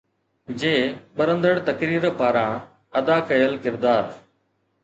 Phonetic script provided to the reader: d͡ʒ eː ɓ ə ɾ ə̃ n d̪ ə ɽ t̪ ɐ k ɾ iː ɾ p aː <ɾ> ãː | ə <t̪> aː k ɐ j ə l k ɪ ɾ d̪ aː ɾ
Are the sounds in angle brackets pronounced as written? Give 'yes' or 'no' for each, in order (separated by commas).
yes, no